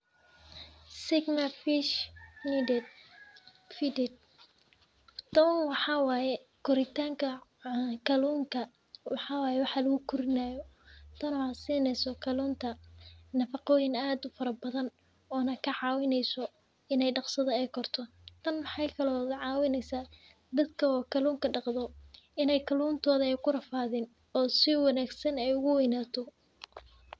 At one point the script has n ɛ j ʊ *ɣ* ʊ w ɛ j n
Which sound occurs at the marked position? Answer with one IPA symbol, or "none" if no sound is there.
ɣ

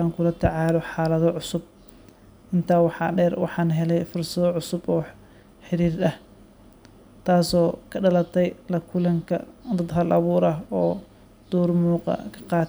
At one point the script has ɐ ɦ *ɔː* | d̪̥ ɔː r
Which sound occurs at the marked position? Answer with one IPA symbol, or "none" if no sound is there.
ɔː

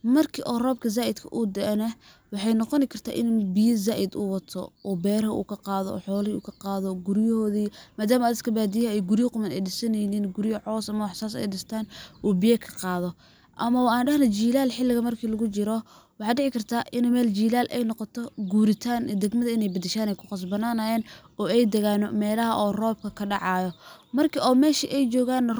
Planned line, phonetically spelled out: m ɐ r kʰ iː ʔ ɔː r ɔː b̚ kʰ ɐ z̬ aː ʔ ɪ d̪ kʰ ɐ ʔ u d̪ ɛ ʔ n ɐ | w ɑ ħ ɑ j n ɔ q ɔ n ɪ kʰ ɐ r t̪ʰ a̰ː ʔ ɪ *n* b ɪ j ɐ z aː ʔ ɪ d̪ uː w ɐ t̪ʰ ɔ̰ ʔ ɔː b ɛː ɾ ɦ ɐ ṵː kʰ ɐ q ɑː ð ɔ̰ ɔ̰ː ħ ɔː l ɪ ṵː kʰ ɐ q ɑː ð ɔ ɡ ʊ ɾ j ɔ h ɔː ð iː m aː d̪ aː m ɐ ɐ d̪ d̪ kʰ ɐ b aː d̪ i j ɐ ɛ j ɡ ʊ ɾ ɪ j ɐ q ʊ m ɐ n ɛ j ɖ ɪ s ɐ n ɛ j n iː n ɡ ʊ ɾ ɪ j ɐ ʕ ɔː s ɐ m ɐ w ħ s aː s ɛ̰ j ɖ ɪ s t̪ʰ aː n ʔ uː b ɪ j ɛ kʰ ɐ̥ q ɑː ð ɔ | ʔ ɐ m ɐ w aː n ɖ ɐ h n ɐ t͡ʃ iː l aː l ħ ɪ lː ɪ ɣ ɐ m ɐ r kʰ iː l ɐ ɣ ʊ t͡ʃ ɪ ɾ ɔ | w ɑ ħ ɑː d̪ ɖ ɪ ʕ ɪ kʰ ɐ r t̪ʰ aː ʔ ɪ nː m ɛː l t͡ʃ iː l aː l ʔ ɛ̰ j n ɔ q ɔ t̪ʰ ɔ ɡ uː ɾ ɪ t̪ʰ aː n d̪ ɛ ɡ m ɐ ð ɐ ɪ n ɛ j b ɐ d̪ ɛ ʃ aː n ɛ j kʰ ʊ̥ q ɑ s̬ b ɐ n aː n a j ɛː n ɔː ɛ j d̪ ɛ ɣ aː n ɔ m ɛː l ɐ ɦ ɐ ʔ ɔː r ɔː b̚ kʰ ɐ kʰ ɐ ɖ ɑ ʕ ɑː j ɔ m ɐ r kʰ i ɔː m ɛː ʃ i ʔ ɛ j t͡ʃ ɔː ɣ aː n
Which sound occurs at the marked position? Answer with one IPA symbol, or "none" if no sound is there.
n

